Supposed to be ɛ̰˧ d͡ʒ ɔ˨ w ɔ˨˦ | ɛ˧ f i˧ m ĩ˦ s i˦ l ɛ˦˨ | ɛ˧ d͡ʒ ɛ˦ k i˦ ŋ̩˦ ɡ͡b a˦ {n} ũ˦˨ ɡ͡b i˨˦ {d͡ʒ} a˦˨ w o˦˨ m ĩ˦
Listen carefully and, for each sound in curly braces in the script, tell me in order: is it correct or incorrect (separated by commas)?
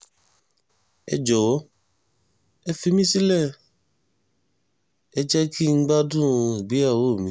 incorrect, incorrect